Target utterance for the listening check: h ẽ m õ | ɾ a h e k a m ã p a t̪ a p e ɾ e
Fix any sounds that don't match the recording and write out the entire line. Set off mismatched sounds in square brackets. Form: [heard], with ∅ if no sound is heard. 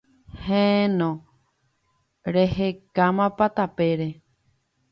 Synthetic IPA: h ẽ [n] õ | ɾ [e] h e k a m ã p a t̪ a p e ɾ e